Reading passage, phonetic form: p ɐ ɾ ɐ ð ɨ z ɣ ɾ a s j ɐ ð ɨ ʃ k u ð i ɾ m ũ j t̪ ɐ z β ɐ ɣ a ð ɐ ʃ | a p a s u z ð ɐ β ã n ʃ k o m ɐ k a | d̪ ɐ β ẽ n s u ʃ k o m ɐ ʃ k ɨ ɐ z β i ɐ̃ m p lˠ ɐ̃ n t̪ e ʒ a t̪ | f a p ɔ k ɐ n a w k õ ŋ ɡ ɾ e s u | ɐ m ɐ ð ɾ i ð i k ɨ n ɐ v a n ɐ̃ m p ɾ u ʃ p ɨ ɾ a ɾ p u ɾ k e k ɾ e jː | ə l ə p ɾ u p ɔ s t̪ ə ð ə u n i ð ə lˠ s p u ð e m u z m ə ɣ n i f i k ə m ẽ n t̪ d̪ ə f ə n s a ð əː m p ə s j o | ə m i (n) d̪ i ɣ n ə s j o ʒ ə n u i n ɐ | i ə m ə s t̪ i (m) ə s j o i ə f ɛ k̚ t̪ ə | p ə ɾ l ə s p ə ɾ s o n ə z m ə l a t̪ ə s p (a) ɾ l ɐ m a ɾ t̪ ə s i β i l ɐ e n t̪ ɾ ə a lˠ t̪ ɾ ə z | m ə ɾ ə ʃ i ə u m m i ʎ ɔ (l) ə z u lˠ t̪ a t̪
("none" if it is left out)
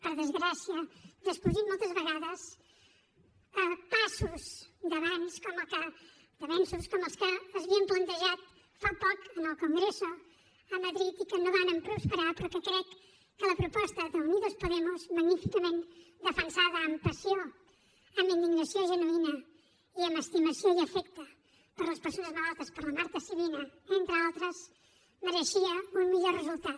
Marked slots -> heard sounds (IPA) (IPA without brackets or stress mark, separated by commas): n, m, ə, r